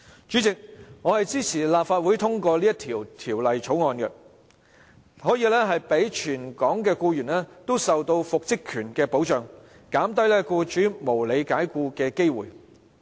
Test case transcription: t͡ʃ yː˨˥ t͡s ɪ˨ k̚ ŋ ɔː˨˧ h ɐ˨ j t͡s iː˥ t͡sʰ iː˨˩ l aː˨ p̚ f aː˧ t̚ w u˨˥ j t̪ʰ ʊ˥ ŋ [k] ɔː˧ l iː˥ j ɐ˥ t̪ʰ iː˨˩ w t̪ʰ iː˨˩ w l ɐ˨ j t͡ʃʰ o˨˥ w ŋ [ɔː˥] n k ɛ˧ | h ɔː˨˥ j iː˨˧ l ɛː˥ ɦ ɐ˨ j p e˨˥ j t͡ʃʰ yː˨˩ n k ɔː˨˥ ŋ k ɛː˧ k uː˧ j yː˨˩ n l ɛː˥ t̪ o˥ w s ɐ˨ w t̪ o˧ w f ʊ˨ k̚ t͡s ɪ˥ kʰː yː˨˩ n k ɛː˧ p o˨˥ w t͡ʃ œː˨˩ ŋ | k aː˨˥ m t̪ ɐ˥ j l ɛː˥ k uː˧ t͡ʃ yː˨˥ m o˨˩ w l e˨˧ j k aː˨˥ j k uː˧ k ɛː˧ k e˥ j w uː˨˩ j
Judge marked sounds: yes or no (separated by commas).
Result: yes, no